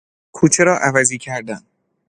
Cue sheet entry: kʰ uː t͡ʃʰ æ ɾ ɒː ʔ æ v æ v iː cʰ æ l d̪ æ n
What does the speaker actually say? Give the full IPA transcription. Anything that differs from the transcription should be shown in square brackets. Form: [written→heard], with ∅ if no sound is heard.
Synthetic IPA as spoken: kʰ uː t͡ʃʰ [æ→e] ɾ ɒː ʔ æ v æ [v→z] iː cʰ æ [l→ɾ] d̪ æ n